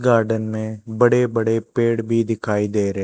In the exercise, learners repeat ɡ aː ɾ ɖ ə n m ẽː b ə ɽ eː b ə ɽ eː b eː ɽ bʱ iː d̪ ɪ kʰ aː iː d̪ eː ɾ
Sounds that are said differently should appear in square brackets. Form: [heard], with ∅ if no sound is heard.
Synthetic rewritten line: ɡ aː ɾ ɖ ə n m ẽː b ə ɽ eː b ə ɽ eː [p] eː ɽ bʱ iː d̪ ɪ kʰ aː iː d̪ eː ɾ

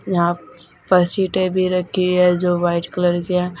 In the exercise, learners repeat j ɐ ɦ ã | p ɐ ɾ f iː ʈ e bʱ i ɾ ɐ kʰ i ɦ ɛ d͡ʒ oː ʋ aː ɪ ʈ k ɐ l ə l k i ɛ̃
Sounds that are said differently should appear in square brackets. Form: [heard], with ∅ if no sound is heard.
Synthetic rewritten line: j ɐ ɦ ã | p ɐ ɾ [s] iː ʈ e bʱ i ɾ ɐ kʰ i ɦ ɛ d͡ʒ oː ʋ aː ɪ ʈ k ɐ l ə [ɾ] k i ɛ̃

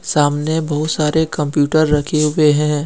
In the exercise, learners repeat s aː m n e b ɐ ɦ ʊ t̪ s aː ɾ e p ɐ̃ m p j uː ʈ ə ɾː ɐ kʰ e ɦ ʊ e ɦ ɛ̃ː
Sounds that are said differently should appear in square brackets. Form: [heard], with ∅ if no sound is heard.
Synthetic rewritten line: s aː m n e b ɐ ɦ ʊ t̪ s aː ɾ e [k] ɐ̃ m p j uː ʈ ə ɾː ɐ kʰ e ɦ ʊ e ɦ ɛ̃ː

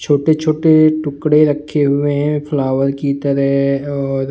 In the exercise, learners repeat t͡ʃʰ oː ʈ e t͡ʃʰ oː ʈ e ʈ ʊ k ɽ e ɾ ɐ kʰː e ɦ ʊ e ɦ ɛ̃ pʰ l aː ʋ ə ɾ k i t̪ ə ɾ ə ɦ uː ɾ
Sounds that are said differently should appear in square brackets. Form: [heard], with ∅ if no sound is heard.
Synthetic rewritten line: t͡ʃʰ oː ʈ e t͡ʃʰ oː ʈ e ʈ ʊ k ɽ e ɾ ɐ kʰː e ɦ ʊ e ɦ ɛ̃ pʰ l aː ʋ ə ɾ k i t̪ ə ɾ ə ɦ [ɔː] ɾ

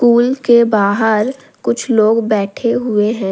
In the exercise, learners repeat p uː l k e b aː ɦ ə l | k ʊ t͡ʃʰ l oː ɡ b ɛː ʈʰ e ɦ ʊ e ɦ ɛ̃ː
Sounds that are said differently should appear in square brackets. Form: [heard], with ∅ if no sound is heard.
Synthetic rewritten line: [k] uː l k e b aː ɦ ə [ɾ] | k ʊ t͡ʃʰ l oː ɡ b ɛː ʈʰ e ɦ ʊ e ɦ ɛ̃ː

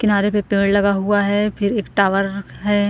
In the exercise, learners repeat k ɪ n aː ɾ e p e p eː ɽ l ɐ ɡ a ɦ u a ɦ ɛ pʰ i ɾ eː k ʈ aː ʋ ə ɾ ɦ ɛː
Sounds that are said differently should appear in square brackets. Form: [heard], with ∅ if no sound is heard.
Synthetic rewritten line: k ɪ n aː ɾ e p e p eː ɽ l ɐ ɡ a ɦ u a ɦ ɛ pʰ [ɪ] ɾ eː k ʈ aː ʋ ə ɾ ɦ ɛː

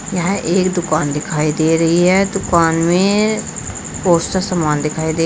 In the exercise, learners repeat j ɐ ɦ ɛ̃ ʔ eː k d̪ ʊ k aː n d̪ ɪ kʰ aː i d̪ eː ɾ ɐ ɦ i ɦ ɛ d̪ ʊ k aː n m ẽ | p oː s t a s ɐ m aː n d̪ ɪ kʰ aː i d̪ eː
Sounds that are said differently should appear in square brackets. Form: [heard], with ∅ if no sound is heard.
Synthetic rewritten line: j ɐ ɦ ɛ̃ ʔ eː k d̪ ʊ k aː n d̪ ɪ kʰ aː i d̪ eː ɾ ɐ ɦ i ɦ ɛ d̪ ʊ k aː n m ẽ | p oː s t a s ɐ m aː n d̪ ɪ kʰ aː i d̪ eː

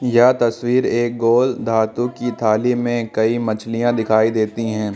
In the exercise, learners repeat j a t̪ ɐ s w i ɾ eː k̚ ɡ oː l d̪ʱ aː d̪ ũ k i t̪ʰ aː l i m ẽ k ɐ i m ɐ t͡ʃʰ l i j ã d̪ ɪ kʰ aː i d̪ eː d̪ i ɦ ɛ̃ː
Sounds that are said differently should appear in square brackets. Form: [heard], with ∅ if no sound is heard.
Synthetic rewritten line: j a t̪ ɐ s w [iː] ɾ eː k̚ ɡ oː l d̪ʱ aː [t̪] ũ k i t̪ʰ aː l i m ẽ k ɐ i m ɐ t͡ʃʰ l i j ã d̪ ɪ kʰ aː i d̪ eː [t̪] i ɦ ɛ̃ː

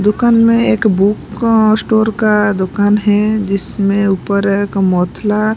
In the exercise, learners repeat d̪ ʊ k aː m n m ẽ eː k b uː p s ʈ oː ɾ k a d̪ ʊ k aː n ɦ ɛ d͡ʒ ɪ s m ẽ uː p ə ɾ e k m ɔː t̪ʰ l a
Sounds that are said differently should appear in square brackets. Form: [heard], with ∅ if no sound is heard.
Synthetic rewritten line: d̪ ʊ k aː [∅] n m ẽ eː k b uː [k] s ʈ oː ɾ k a d̪ ʊ k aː n ɦ ɛ d͡ʒ ɪ s m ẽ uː p ə ɾ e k m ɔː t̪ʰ l a

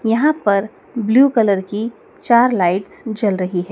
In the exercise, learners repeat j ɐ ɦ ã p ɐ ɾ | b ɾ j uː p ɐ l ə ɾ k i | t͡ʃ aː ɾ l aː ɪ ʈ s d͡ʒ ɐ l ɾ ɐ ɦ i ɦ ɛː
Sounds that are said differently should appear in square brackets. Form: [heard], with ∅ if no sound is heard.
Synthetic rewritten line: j ɐ ɦ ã p ɐ ɾ | b [l] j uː [k] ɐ l ə ɾ k i | t͡ʃ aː ɾ l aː ɪ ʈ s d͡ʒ ɐ l ɾ ɐ ɦ i ɦ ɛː

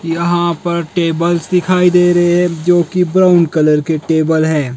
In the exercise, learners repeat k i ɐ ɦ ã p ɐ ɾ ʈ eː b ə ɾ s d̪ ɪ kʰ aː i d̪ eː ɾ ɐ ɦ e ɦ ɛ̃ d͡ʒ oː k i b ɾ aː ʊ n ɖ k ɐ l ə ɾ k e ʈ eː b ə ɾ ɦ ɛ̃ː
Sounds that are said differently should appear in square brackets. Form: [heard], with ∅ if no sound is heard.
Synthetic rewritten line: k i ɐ ɦ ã p ɐ ɾ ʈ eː b ə [l] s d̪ ɪ kʰ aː i d̪ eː ɾ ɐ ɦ e ɦ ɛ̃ d͡ʒ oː k i b ɾ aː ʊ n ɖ k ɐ l ə ɾ k e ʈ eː b ə [l] ɦ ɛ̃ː

